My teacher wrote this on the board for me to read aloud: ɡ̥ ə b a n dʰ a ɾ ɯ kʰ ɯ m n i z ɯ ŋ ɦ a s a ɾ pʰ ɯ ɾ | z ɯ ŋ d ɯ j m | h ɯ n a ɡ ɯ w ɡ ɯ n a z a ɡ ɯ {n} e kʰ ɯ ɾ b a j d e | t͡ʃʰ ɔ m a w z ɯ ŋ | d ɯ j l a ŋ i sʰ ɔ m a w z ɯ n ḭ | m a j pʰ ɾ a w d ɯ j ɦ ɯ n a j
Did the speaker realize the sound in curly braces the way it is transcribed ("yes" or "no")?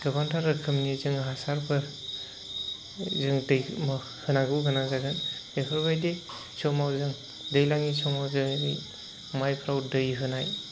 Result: yes